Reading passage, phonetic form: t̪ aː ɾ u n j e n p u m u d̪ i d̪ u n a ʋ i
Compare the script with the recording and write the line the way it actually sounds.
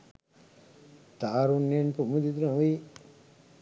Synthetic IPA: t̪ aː ɾ u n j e n p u m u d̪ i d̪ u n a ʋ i